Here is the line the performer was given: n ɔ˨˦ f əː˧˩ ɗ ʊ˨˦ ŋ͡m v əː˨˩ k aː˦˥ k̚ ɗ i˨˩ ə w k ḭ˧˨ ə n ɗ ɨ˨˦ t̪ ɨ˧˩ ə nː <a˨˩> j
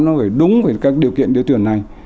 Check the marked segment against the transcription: correct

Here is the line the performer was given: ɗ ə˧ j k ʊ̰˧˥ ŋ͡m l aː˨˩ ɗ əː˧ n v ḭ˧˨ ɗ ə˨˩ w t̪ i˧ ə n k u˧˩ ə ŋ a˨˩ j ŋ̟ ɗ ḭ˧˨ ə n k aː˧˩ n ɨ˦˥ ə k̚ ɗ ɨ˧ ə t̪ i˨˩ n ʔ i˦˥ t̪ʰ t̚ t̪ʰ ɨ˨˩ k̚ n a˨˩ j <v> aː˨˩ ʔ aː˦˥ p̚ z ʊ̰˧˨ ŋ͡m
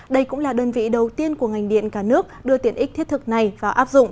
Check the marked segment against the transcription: correct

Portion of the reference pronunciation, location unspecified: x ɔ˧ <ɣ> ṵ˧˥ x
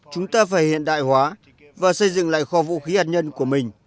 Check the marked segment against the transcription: incorrect: v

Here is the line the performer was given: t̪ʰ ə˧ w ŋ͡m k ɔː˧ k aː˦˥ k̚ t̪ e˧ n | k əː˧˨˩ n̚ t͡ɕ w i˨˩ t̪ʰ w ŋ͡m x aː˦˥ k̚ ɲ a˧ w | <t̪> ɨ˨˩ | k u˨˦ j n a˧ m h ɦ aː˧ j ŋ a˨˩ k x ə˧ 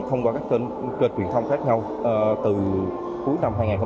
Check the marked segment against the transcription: correct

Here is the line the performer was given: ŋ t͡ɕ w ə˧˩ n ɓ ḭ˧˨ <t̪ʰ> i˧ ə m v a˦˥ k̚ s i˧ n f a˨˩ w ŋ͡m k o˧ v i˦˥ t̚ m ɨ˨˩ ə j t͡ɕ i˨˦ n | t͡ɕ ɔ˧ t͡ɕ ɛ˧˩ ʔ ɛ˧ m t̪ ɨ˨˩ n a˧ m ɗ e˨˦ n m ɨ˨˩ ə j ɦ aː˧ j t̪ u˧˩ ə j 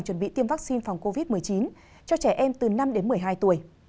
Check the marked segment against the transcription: incorrect: t̪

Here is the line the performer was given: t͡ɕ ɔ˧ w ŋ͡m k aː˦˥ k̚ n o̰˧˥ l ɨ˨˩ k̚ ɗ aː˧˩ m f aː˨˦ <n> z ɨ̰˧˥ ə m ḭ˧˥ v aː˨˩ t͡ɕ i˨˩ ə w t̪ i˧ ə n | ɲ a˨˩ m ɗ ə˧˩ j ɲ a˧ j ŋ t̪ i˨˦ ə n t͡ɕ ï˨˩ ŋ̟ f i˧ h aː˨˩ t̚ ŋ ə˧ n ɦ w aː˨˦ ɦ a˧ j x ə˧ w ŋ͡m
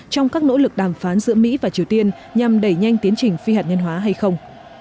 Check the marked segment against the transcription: correct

